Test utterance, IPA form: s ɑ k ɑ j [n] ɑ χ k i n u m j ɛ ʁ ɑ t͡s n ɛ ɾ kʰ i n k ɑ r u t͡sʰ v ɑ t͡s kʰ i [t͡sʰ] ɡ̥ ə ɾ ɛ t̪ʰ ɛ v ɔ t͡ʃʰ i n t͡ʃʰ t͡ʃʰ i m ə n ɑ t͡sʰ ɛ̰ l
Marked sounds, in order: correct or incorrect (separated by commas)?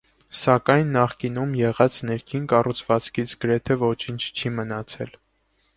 incorrect, correct